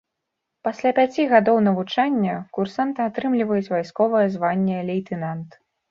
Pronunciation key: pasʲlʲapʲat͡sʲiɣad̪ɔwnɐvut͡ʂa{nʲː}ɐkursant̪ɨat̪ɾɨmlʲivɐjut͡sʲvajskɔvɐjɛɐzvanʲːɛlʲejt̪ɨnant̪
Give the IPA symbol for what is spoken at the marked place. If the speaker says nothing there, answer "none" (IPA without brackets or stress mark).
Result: nʲː